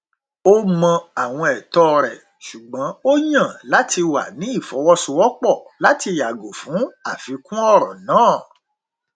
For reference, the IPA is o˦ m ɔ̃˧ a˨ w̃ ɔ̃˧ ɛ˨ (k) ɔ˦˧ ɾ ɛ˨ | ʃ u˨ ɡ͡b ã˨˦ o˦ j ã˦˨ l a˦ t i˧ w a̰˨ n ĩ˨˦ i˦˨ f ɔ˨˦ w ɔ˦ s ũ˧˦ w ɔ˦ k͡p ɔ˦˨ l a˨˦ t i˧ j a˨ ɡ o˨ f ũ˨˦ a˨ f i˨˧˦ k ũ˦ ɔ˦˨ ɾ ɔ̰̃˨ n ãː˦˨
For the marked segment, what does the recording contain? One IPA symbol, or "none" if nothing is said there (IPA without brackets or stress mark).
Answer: t